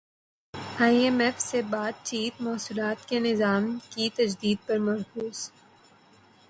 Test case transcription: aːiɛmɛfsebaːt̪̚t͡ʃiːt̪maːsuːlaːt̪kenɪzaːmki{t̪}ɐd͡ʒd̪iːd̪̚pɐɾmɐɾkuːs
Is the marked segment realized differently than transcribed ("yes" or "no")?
no